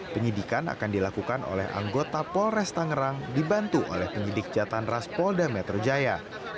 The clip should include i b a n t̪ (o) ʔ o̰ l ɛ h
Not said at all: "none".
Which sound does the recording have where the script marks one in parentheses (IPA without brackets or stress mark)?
u